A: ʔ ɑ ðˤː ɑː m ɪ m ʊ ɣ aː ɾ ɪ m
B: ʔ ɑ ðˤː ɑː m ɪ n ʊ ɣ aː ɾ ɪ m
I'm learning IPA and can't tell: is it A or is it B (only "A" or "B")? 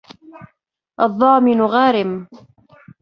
B